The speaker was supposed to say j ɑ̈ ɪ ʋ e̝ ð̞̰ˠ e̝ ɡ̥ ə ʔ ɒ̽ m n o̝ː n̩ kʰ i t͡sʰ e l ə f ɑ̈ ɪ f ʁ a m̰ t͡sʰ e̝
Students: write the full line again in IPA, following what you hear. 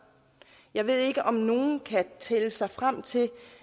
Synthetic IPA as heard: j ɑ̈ ɪ ʋ e̝ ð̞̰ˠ e̝ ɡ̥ ə ʔ ɒ̽ m n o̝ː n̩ kʰ æ t͡sʰ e l ə s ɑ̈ ɪ f ʁ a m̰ t͡sʰ e̝